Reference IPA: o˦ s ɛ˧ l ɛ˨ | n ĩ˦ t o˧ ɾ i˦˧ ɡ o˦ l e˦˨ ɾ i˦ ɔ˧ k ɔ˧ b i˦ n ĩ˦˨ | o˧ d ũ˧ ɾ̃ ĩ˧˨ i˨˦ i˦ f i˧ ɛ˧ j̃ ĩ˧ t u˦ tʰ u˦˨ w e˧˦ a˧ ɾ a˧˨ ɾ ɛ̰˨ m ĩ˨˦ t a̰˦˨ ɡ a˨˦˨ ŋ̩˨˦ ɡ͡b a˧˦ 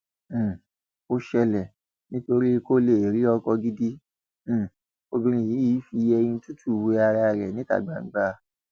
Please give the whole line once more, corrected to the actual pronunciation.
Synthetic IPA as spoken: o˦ ʃ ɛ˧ l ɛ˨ | n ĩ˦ t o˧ ɾ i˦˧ k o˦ l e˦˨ ɾ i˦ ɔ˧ k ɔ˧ ɡ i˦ d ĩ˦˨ | o˧ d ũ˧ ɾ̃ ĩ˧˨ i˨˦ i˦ f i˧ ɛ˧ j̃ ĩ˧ t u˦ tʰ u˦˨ w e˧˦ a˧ ɾ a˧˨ ɾ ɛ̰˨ n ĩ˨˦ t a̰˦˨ ɡ͡b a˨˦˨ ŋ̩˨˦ ɡ͡b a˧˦